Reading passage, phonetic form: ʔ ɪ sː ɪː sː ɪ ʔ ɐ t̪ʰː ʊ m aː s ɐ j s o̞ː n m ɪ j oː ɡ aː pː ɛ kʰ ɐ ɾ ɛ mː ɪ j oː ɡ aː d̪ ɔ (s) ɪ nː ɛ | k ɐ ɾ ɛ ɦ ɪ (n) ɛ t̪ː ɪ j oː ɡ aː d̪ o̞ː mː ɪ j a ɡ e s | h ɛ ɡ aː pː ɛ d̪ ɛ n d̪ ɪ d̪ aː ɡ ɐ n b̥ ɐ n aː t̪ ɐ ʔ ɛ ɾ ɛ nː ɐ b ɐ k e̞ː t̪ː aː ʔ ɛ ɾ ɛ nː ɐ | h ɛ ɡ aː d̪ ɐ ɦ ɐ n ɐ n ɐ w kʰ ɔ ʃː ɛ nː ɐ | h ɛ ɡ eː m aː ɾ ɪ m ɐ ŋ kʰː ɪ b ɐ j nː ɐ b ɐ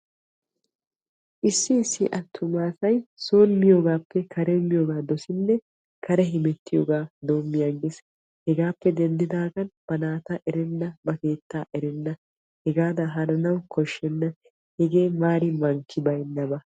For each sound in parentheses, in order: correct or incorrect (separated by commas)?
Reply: correct, incorrect